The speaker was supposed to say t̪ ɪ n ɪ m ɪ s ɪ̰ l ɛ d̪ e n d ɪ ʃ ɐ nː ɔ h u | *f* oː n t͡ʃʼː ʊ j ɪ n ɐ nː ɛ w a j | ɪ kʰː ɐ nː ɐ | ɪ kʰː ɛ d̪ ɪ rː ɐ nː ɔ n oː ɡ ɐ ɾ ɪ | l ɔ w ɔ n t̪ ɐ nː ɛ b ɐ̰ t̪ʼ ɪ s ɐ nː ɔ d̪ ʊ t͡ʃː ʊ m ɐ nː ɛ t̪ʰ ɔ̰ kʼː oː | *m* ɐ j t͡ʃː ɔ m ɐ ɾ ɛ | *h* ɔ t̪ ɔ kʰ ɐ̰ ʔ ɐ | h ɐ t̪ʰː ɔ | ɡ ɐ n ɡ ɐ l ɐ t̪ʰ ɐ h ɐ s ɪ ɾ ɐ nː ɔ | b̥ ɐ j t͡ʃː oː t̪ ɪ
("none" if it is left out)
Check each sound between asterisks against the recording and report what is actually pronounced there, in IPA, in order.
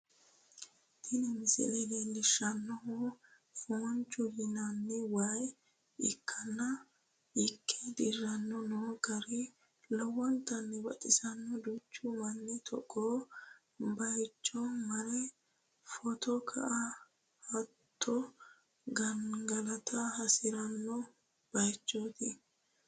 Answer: f, b, f

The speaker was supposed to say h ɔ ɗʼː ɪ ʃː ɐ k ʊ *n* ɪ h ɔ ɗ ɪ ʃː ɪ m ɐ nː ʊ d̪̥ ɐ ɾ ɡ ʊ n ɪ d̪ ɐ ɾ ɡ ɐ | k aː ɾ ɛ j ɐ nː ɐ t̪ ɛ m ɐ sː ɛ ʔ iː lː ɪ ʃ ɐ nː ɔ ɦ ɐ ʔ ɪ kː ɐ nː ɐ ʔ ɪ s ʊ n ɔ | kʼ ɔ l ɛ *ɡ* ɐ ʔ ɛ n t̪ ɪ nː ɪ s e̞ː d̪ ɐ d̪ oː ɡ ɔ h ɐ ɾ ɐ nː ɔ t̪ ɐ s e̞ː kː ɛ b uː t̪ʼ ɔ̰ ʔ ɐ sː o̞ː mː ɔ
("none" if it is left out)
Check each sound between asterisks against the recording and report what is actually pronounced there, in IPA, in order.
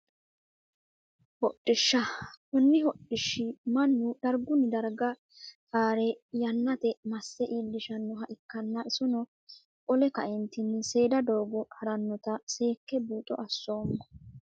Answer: nː, k

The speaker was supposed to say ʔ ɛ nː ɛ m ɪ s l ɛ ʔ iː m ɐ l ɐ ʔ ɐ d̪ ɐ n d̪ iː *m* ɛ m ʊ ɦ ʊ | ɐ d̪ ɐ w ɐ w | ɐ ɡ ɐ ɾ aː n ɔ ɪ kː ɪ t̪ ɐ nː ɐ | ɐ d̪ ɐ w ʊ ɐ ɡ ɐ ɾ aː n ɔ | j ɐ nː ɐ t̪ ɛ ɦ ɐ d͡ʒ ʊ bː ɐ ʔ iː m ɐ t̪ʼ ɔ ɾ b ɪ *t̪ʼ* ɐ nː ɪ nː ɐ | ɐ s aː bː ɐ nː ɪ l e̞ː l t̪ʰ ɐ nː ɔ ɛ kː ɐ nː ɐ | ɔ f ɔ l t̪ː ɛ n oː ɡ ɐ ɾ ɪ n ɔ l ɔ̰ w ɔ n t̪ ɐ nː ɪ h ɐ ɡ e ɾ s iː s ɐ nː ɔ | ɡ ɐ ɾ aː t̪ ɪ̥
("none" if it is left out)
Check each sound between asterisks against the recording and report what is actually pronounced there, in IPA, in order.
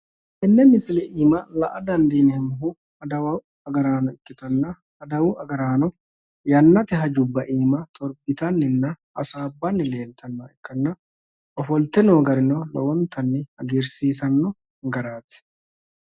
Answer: n, t̪

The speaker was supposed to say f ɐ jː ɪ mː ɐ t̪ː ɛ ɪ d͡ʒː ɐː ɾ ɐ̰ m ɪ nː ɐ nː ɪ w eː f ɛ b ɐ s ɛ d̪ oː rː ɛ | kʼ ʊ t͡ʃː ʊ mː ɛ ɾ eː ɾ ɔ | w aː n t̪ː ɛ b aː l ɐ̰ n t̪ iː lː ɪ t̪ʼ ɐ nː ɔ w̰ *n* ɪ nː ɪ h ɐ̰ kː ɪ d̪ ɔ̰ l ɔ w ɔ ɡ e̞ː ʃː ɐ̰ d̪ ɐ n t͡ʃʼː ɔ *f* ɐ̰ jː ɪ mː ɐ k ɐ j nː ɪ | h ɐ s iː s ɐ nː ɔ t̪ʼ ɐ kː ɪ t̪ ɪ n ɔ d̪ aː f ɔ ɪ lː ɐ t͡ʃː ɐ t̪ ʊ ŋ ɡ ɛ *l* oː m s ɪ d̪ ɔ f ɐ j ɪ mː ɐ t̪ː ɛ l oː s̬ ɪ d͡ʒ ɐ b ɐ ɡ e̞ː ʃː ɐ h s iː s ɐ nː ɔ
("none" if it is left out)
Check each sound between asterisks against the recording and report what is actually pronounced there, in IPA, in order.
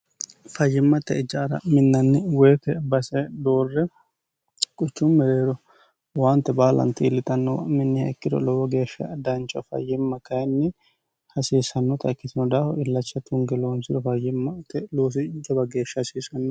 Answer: m, f, l

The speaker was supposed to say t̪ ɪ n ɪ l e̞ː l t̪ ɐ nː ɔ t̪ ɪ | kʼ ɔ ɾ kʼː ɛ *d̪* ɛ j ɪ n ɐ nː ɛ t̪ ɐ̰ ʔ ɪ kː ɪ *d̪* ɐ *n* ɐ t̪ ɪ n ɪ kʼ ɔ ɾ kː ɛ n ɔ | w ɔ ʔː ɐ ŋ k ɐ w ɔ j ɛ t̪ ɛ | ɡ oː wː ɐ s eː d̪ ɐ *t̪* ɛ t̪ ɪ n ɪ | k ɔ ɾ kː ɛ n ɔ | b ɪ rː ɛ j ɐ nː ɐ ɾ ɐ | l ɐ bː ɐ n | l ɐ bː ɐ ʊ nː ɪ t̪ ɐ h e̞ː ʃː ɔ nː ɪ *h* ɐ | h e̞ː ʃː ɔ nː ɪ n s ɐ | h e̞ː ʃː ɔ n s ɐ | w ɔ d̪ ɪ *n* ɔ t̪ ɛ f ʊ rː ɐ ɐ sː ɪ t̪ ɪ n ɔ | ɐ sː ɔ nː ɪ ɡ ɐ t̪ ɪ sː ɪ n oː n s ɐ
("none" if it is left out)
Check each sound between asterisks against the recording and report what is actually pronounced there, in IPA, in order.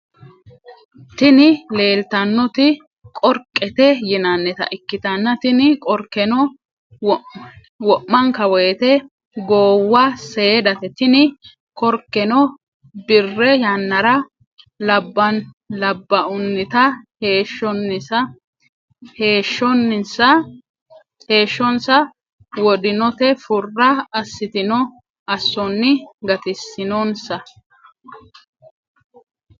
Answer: t̪, t̪, nː, t̪, s, n

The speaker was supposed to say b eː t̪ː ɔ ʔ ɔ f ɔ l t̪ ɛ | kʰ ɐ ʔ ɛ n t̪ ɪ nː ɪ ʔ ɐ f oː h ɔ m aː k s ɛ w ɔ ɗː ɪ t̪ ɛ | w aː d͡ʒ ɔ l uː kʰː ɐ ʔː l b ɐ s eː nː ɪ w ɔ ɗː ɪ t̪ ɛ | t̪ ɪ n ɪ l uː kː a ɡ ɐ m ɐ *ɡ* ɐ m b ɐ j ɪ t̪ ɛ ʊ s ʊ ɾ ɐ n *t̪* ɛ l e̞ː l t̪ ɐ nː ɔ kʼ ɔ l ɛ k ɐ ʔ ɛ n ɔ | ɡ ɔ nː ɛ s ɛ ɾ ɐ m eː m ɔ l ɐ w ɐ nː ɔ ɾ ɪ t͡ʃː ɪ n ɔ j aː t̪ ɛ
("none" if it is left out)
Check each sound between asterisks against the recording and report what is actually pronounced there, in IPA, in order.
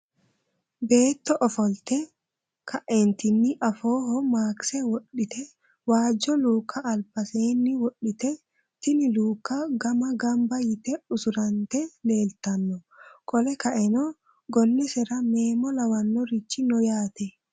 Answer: ɡ, t̪

